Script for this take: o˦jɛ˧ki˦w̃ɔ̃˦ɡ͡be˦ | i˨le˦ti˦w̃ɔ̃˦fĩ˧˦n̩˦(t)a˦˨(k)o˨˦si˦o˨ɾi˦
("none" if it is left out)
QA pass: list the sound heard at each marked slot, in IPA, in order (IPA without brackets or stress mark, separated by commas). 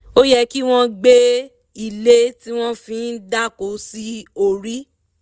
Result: d, k